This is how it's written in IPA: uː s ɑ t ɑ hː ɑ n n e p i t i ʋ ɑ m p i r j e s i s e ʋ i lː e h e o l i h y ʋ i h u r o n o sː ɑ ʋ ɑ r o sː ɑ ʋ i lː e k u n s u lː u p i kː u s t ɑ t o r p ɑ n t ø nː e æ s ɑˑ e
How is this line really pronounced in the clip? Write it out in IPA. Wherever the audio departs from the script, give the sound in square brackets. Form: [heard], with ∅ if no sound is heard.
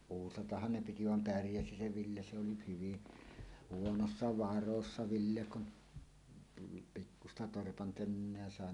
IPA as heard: uː s ɑ t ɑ hː ɑ n n e p i t i ʋ ɑ m p [æ] r j [æ] s i s e ʋ i lː e [s] e o l i h y ʋ i h u [∅] o n o sː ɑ ʋ ɑ r o sː ɑ ʋ i lː e k u n [t] u lː u p i kː u s t ɑ t o r p ɑ n t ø nː e æ s ɑˑ e